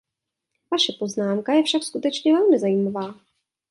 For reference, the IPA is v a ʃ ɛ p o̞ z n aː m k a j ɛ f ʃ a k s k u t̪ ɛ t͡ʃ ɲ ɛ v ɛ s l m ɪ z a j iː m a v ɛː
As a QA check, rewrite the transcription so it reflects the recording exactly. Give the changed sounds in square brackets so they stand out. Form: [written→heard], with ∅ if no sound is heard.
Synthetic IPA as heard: v a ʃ ɛ p o̞ z n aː m k a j ɛ f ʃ a k s k u t̪ ɛ t͡ʃ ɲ ɛ v ɛ [s→∅] l m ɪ z a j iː m a v [ɛː→aː]